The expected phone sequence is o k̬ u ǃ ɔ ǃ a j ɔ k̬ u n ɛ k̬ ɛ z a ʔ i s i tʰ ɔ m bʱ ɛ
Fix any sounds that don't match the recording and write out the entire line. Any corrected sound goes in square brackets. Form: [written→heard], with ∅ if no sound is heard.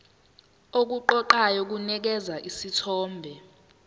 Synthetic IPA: o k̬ u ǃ ɔ ǃ a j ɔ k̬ u n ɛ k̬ ɛ z a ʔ i s i tʰ [ɔ→ɔː] m bʱ ɛ